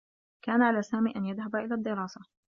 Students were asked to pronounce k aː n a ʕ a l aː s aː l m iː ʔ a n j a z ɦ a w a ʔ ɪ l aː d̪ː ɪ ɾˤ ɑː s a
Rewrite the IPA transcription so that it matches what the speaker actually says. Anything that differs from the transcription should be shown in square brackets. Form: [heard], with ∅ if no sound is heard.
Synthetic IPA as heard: k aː n a ʕ a l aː s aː [∅] m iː ʔ a n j a [ð] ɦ a [b] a ʔ ɪ l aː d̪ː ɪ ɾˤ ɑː s a